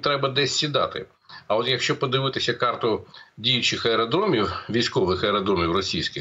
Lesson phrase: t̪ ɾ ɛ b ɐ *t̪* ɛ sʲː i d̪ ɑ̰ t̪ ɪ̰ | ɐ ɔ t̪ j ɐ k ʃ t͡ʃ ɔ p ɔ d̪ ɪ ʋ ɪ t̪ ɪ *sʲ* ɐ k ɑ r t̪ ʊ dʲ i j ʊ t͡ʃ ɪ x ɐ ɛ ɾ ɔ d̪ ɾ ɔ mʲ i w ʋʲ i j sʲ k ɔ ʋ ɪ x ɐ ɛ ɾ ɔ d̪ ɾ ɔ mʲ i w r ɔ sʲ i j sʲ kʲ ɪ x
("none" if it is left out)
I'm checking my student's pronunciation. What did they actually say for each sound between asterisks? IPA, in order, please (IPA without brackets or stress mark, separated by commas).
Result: d̪, sʲ